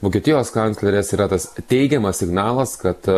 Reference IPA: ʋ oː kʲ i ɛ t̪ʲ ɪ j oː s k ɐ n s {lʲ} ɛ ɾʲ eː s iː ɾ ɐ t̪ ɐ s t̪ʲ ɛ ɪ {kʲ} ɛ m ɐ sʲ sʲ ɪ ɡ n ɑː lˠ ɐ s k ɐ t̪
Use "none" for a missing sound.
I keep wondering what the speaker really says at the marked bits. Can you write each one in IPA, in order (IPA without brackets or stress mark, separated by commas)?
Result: lʲ, ɡʲ